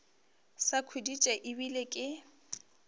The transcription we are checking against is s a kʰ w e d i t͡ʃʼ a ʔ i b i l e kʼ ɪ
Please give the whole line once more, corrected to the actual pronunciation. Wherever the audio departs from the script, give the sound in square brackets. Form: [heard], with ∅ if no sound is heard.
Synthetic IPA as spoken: s a kʰ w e d i t͡ʃʼ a ʔ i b i l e kʼ ɪ